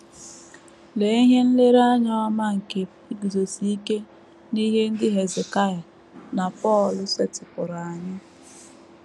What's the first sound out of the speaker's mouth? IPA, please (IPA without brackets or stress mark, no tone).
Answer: l